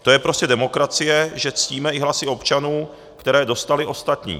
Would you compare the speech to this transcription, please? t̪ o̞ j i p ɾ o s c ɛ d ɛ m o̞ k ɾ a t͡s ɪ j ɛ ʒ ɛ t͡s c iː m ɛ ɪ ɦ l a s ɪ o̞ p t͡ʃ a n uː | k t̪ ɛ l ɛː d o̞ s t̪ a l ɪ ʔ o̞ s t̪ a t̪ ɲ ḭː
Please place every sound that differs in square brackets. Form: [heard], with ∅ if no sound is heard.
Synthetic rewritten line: t̪ o̞ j [ɛ] p ɾ o s c ɛ d ɛ m o̞ k ɾ a t͡s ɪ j ɛ ʒ ɛ t͡s c iː m ɛ ɪ ɦ l a s ɪ o̞ p t͡ʃ a n uː | k t̪ ɛ [ɾ] ɛː d o̞ s t̪ a l ɪ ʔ o̞ s t̪ a t̪ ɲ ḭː